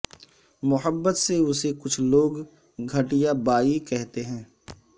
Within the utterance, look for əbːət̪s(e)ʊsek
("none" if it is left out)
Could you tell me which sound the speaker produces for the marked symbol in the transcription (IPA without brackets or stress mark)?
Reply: e